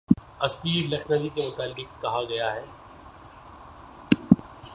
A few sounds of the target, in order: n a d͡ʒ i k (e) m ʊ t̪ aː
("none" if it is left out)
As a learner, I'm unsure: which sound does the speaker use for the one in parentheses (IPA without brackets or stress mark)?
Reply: e